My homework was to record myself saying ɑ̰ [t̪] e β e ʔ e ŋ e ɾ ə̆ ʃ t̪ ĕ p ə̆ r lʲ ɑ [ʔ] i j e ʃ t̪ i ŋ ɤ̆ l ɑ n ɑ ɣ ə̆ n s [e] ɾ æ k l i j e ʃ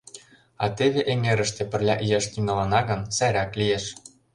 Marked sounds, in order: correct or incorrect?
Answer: correct, correct, incorrect: æ

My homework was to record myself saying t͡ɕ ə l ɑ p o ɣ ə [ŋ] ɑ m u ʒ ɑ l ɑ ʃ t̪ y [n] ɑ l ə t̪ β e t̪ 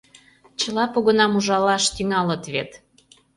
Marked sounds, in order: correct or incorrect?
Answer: incorrect: n, incorrect: ŋ

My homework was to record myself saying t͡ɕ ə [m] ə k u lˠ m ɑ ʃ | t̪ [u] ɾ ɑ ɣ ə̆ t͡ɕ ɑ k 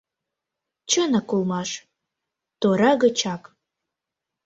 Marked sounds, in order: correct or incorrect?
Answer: incorrect: n, incorrect: o

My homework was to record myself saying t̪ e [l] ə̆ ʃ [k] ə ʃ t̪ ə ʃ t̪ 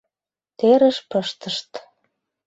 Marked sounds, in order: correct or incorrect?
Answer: incorrect: ɾ, incorrect: p

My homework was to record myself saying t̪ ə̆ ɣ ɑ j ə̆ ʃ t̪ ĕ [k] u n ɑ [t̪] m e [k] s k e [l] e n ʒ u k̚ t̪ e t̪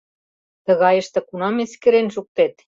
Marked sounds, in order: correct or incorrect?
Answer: correct, incorrect: none, incorrect: none, incorrect: ɾ

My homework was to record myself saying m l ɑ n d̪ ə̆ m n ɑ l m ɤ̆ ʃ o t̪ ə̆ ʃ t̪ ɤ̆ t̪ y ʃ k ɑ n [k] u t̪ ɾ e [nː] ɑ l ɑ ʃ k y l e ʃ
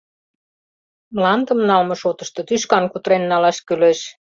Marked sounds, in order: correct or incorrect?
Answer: correct, correct

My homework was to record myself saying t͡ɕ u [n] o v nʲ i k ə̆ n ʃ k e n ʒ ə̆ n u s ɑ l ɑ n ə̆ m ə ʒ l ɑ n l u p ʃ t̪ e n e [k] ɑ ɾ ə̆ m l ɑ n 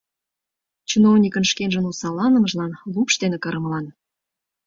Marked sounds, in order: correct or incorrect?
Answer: correct, correct

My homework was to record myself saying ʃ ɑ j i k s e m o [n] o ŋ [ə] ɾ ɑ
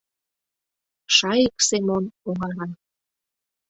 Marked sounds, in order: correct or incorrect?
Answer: correct, incorrect: ɑ

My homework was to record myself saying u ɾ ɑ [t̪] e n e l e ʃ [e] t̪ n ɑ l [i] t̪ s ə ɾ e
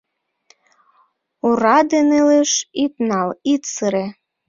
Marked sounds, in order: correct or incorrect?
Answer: incorrect: d̪, incorrect: i, correct

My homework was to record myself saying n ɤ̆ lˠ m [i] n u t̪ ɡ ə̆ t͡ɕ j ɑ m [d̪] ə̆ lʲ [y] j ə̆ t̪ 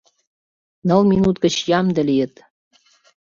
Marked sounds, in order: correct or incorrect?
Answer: correct, correct, incorrect: i

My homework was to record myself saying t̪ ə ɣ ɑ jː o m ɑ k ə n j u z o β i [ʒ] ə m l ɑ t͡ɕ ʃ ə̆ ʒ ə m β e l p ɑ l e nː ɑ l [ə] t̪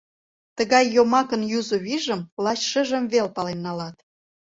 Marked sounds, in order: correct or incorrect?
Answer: correct, incorrect: ɑ

